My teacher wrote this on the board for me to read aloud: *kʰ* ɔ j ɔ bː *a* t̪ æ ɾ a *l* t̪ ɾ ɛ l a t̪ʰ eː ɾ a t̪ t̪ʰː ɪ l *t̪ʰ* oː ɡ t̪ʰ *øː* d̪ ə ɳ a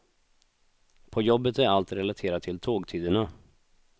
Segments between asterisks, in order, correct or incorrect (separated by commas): incorrect, incorrect, correct, correct, incorrect